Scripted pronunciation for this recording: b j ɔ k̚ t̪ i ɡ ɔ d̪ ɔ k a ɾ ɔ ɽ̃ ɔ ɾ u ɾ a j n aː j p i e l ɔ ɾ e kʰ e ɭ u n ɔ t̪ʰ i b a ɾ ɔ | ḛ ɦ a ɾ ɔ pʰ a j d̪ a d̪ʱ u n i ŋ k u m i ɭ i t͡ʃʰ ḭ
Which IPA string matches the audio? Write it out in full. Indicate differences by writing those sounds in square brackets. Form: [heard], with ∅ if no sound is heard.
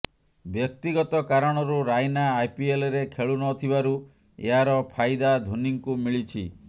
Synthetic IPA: b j ɔ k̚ t̪ i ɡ ɔ [t̪] ɔ k a ɾ ɔ ɽ̃ ɔ ɾ u ɾ a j n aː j p i e l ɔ ɾ e kʰ e ɭ u n ɔ t̪ʰ i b a ɾ [u] | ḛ ɦ a ɾ ɔ pʰ a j d̪ a d̪ʱ u n i ŋ k u m i ɭ i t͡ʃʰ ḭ